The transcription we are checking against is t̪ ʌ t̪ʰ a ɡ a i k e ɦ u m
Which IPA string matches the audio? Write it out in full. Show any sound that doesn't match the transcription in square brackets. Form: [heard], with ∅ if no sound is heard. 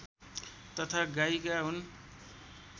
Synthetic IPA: t̪ ʌ t̪ʰ a ɡ a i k [a] ɦ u [n]